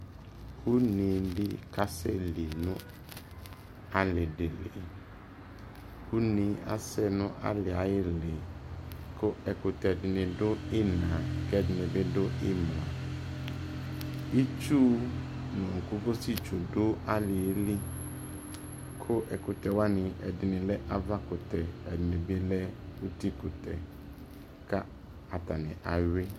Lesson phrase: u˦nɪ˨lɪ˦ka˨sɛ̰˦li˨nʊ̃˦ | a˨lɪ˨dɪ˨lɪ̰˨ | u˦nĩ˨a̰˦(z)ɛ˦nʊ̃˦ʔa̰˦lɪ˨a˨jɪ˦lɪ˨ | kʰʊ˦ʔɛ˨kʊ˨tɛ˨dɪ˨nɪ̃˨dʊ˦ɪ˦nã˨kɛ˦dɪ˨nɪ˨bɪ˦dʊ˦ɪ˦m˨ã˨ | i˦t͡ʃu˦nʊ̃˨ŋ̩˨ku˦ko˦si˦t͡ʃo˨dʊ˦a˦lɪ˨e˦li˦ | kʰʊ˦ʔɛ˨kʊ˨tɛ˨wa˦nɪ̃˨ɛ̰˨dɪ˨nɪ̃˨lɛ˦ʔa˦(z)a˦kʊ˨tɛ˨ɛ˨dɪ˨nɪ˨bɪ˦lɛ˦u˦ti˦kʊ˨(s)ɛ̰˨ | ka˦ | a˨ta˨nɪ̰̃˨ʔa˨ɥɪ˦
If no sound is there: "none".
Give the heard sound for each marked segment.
s, v, t

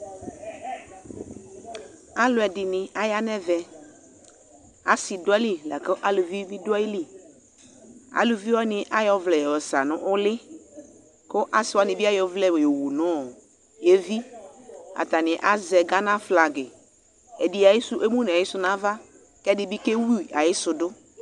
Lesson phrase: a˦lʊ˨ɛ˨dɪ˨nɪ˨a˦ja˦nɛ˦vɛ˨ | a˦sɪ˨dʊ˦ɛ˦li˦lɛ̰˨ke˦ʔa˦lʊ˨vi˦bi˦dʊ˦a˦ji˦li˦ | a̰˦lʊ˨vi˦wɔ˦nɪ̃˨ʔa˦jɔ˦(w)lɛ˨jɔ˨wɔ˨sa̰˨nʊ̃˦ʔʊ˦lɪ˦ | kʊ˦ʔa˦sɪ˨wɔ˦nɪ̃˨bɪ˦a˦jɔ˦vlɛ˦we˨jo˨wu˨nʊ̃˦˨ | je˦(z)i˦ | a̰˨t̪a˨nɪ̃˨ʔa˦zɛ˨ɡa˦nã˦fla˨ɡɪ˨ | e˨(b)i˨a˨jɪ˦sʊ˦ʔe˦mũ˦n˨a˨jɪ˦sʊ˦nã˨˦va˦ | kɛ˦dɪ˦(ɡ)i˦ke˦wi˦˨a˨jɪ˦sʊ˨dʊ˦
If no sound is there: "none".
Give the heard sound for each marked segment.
v, v, d, b

